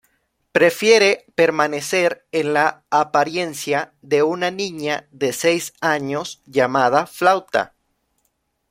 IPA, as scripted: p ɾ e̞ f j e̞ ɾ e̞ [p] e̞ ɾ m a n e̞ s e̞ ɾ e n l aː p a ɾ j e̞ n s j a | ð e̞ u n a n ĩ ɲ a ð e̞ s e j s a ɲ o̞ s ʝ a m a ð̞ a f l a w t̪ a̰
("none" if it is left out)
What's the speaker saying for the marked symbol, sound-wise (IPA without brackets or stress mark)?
p